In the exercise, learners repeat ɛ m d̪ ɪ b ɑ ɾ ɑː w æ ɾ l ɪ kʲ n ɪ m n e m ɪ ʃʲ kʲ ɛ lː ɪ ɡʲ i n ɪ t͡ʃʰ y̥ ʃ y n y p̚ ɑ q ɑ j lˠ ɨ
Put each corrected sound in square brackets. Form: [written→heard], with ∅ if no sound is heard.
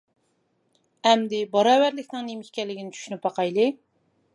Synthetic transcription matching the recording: ɛ m d̪ ɪ b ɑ ɾ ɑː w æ ɾ l ɪ kʲ n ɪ [m→ŋ] n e m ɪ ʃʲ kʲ ɛ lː ɪ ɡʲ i n ɪ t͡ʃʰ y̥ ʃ y n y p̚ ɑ q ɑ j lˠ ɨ

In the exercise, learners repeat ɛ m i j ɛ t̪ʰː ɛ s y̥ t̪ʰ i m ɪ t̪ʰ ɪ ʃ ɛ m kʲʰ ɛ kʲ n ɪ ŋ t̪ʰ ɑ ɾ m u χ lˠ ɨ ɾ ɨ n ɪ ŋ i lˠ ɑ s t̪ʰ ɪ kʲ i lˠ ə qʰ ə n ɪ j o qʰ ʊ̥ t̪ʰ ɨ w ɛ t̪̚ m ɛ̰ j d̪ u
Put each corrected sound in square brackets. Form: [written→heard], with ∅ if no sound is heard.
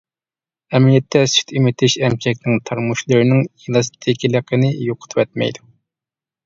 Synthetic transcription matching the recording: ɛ m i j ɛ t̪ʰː ɛ s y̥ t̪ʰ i m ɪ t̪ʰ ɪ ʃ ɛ m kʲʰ ɛ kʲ n ɪ ŋ t̪ʰ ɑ ɾ m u [χ→ʃ] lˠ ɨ ɾ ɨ n ɪ ŋ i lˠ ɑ s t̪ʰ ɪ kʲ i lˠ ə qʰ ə n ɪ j o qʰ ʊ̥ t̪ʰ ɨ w ɛ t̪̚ m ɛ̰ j d̪ u

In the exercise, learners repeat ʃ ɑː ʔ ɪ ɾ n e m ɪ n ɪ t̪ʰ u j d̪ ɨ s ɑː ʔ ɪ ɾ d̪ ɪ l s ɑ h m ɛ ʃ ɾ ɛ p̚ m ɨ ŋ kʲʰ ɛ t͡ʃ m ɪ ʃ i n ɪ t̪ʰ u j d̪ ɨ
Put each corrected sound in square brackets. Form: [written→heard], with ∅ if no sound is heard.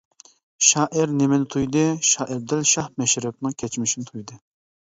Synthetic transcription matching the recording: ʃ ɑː ʔ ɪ ɾ n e m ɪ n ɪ t̪ʰ u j d̪ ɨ [s→ʃ] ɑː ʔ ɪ ɾ d̪ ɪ l [s→ʃ] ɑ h m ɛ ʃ ɾ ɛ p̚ [m→n] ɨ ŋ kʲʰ ɛ t͡ʃ m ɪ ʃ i n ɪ t̪ʰ u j d̪ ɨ

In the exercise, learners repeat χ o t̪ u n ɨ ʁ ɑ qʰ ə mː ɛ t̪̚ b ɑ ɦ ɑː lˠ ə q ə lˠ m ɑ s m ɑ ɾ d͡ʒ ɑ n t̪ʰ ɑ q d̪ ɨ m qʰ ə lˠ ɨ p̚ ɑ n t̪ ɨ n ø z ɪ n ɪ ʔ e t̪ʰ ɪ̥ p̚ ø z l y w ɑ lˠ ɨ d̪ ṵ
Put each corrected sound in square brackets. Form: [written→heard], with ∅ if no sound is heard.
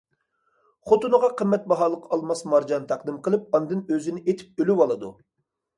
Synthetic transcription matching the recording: χ o t̪ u n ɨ ʁ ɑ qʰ ə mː ɛ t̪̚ b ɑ ɦ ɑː lˠ ə q [ə→ɑ] lˠ m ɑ s m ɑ ɾ d͡ʒ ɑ n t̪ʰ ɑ q d̪ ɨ m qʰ ə lˠ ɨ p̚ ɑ n [t̪→d̪] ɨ n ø z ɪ n ɪ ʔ e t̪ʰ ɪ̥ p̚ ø [z→∅] l y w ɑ lˠ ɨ d̪ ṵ

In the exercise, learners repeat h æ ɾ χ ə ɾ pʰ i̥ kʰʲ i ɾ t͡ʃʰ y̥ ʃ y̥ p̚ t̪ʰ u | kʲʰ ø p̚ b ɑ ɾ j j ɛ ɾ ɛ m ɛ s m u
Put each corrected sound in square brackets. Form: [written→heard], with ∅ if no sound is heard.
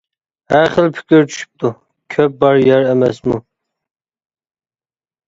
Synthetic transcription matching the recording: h æ ɾ χ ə [ɾ→l] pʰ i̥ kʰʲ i ɾ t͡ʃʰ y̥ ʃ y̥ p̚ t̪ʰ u | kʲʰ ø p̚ b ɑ ɾ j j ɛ ɾ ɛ m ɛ s m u

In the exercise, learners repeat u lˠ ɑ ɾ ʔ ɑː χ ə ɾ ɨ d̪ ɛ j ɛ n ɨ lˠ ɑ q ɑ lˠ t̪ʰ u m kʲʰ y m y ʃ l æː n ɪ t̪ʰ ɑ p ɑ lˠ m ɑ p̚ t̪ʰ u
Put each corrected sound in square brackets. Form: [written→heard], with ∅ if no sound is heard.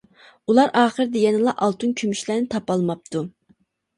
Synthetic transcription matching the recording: u lˠ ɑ ɾ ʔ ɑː χ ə ɾ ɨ d̪ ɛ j ɛ n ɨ lˠ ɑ [q→ʔ] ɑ lˠ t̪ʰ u [m→n] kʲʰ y m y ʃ l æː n ɪ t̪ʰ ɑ p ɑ lˠ m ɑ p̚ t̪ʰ u

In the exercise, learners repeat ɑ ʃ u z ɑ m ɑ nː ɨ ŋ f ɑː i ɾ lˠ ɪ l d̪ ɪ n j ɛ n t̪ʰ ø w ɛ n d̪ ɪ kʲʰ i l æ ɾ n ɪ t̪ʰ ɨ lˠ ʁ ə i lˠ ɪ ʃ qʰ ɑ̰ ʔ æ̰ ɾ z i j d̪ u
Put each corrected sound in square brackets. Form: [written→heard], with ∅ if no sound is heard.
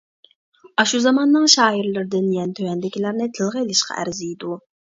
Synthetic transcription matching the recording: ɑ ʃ u z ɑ m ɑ nː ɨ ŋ [f→ʃ] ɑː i ɾ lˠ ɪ [l→ɾ] d̪ ɪ n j ɛ n t̪ʰ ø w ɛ n d̪ ɪ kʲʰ i l æ ɾ n ɪ t̪ʰ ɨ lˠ ʁ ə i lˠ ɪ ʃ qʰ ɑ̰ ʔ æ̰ ɾ z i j d̪ u

